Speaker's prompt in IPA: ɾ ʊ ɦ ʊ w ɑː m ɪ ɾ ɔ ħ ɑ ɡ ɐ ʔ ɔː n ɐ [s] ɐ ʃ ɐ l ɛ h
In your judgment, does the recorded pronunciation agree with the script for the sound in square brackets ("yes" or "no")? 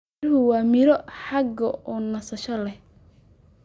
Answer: yes